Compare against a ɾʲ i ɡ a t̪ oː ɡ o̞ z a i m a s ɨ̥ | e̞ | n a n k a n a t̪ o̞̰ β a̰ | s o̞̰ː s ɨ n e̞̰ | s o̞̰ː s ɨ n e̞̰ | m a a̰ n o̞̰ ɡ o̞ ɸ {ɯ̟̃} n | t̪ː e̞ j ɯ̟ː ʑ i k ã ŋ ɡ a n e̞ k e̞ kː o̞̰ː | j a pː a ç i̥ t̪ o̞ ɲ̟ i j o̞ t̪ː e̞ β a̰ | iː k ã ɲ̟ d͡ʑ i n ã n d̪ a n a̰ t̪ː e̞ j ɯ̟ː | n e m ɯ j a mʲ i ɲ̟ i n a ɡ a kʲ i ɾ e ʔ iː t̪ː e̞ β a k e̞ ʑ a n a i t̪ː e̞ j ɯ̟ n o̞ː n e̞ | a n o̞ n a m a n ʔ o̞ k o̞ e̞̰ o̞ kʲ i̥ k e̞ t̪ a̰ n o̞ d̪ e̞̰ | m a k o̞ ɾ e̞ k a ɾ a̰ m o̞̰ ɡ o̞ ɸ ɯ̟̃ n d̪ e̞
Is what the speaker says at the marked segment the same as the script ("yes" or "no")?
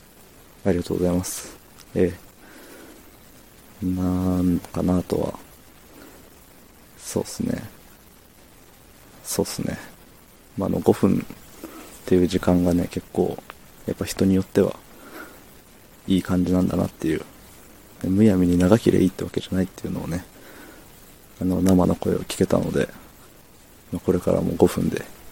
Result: yes